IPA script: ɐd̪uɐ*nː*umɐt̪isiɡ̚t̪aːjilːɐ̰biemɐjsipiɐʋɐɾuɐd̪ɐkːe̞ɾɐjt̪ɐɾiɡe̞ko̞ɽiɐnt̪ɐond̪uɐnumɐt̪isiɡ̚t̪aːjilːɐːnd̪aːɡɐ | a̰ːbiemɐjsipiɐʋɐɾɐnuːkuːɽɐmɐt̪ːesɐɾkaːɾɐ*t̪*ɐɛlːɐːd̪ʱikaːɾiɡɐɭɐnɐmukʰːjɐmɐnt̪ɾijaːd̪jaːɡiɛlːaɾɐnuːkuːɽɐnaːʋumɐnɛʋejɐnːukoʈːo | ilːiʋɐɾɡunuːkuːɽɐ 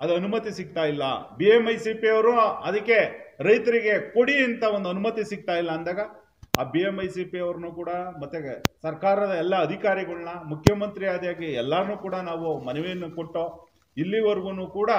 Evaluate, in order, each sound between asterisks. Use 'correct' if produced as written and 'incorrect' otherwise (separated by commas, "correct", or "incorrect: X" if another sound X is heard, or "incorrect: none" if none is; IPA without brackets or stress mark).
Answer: incorrect: n, incorrect: d̪